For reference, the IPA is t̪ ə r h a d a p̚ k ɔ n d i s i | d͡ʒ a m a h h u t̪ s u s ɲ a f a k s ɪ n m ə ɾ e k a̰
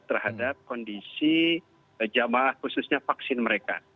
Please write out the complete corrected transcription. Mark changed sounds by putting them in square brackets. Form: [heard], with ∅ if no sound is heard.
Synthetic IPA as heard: t̪ ə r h a d a p̚ k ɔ n d i s i | d͡ʒ a m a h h u [∅] s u s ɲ a f a k s ɪ n m ə ɾ e k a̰